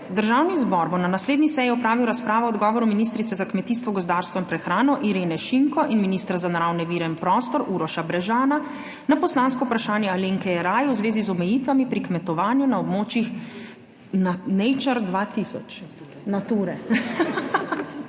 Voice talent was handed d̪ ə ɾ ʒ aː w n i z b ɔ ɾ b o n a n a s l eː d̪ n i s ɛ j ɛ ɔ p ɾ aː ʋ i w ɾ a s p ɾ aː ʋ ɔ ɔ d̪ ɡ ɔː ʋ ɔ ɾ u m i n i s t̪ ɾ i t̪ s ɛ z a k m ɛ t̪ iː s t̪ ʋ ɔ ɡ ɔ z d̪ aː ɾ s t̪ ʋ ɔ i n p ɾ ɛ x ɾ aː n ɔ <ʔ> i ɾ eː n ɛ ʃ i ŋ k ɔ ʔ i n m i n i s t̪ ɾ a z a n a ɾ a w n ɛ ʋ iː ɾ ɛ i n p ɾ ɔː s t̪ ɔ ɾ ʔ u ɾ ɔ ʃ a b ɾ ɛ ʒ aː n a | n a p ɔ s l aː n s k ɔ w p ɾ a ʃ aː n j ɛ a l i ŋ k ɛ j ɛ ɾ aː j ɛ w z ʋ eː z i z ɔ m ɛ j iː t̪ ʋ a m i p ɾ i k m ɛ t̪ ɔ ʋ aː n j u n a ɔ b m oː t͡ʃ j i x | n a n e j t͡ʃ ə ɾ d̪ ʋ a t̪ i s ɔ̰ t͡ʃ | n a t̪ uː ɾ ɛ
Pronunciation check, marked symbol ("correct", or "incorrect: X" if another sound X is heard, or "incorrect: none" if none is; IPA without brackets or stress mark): correct